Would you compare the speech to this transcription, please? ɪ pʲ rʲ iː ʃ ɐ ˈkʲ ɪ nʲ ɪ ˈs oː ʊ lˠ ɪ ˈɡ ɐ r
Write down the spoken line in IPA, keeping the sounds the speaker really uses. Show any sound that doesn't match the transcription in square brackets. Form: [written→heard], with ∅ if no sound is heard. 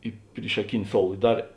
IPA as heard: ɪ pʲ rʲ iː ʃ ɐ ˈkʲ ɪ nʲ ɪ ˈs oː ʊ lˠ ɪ [ˈɡ→ˈd] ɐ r